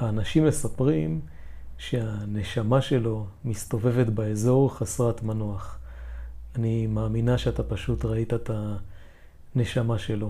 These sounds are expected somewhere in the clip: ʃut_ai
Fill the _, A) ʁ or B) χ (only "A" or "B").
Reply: A